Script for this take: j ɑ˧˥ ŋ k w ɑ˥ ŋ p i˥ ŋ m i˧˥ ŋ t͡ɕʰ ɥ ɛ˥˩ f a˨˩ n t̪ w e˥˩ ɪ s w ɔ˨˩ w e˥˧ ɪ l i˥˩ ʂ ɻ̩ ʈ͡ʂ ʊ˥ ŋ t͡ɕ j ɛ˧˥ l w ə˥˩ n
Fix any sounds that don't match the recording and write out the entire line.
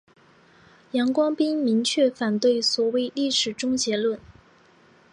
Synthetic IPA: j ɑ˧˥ ŋ k w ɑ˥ ŋ p i˥ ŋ m i˧˥ ŋ t͡ɕʰ ɥ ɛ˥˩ f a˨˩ n t̪ w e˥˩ ɪ s w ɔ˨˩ w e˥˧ ɪ l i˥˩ ʂ ɻ̩ ʈ͡ʂ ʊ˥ ŋ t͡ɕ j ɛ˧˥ l w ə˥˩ n